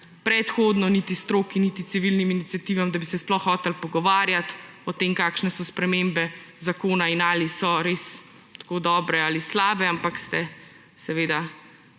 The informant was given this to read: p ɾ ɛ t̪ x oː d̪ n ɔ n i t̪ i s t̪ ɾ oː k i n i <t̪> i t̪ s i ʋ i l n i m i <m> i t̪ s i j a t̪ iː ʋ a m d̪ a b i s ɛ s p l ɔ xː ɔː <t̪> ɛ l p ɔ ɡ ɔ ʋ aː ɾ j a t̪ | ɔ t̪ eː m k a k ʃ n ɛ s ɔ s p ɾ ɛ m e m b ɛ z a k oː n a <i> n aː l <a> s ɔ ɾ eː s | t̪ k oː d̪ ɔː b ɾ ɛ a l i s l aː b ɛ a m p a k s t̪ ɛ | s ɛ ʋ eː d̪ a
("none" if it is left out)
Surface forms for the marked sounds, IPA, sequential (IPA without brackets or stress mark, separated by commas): t̪, n, t̪, i, i